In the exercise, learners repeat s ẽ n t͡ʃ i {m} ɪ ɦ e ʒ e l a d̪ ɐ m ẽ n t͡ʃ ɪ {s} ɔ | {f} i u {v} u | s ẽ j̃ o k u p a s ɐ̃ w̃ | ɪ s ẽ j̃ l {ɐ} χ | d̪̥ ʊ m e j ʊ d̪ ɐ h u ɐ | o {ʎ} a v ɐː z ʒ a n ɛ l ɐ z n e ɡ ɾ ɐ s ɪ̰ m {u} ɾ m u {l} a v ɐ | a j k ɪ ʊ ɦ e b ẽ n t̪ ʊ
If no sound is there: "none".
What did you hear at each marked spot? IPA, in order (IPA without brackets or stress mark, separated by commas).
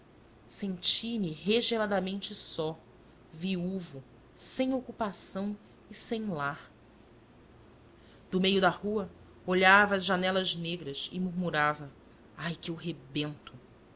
m, s, v, v, a, ʎ, u, ɾ